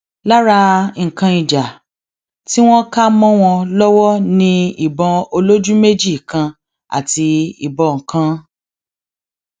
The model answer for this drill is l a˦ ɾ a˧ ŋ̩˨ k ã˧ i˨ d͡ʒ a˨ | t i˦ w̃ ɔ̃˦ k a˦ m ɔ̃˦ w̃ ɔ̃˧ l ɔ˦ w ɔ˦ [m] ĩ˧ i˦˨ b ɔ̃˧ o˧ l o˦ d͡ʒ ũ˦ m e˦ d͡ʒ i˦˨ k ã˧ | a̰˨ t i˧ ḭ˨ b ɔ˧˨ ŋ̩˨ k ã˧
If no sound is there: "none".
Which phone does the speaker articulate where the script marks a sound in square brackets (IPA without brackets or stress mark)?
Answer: n